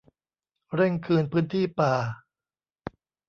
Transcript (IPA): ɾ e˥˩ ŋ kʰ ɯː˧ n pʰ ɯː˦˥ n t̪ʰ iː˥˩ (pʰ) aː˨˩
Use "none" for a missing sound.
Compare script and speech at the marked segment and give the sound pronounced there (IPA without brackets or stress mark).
p